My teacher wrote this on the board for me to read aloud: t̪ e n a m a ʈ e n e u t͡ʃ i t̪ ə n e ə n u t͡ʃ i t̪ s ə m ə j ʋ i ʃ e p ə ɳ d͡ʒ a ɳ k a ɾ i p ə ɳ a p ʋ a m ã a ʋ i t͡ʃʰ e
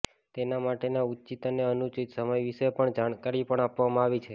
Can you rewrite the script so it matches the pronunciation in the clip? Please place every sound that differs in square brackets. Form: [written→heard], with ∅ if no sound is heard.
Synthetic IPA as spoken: t̪ e n a m a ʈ e n [e→a] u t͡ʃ i t̪ ə n e ə n u t͡ʃ i t̪ s ə m ə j ʋ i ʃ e p ə ɳ d͡ʒ a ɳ k a ɾ i p ə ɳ a p ʋ a m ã a ʋ i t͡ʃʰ e